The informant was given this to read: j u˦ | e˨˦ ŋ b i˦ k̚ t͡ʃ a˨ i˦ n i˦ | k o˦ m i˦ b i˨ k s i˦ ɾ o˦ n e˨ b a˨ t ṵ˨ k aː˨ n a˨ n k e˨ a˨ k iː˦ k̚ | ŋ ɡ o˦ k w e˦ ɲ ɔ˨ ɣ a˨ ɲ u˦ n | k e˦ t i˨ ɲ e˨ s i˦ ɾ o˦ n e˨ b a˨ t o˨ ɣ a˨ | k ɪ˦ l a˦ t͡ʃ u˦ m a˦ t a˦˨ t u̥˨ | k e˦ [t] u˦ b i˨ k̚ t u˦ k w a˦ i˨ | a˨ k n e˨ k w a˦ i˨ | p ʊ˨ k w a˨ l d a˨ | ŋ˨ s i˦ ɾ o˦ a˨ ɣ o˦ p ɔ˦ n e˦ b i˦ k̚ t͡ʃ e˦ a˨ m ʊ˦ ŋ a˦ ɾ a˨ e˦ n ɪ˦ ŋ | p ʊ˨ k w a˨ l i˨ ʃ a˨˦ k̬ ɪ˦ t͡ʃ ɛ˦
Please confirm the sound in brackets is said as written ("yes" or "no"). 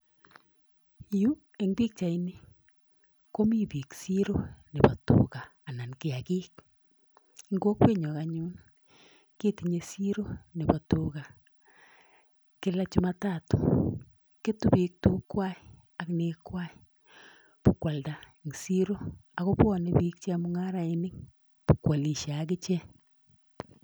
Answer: yes